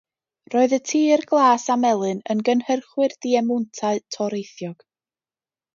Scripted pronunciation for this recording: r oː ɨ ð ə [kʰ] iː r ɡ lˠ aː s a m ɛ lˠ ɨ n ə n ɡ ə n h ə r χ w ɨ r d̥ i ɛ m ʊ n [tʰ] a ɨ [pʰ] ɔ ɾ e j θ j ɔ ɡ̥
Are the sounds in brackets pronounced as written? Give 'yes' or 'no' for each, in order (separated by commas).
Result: no, yes, no